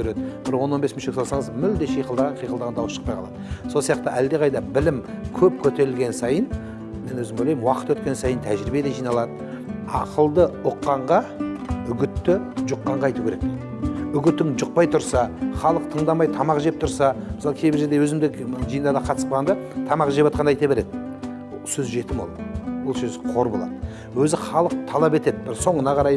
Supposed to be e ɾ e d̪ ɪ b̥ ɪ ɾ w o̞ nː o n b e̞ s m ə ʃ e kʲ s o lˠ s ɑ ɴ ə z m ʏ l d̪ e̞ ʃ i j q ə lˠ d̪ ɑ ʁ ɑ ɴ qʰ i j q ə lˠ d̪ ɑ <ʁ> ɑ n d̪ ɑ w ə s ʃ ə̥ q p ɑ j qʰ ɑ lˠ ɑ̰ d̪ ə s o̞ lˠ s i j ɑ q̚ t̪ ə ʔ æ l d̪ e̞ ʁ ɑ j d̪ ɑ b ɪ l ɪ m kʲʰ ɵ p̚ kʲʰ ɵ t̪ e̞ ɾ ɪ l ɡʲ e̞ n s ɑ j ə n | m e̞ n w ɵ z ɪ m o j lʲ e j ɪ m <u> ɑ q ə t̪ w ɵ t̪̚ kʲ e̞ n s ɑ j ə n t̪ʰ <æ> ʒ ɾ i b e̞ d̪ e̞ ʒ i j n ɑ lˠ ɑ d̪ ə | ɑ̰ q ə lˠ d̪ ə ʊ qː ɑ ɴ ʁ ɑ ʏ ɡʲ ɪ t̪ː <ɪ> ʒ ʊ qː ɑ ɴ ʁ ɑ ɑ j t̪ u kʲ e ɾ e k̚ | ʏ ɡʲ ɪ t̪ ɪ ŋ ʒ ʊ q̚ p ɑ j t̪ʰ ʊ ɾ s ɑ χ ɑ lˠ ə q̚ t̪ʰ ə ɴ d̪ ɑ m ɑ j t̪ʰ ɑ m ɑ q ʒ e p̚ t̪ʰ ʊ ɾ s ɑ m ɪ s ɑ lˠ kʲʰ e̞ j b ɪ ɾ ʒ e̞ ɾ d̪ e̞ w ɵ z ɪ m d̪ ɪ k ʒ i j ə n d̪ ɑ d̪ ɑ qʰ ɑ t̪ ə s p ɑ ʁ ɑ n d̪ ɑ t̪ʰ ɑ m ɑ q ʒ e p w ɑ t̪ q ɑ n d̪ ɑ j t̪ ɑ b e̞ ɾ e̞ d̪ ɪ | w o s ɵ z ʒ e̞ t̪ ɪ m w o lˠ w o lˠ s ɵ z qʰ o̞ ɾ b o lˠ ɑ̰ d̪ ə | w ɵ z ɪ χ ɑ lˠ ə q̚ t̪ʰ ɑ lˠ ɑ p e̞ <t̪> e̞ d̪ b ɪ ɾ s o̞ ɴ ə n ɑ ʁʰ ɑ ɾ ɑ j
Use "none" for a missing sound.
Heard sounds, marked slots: ʁ, w, æ, ɪ, t̪

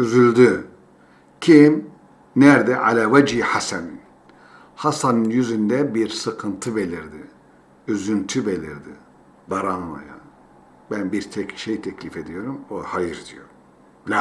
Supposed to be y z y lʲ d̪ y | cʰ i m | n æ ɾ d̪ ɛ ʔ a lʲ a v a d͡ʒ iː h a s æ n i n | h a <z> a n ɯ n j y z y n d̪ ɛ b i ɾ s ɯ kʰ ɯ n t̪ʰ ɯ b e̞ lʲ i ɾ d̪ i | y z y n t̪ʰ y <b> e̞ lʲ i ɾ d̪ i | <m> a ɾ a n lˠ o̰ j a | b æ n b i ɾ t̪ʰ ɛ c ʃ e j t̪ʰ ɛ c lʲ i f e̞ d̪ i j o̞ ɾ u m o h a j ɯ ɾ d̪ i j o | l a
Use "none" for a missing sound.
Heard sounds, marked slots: s, b, b

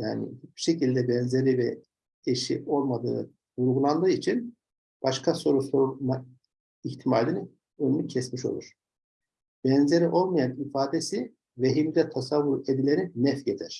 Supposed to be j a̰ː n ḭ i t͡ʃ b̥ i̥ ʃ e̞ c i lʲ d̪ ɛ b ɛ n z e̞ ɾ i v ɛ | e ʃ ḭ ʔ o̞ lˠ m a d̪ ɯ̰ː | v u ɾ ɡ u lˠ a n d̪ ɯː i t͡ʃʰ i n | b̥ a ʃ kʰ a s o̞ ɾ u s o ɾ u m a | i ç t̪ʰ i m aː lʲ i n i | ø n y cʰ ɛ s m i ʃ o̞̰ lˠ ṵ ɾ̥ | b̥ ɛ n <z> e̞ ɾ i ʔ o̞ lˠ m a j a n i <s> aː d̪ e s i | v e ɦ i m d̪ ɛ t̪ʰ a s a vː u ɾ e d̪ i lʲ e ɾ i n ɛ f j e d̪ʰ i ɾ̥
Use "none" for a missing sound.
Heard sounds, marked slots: z, f

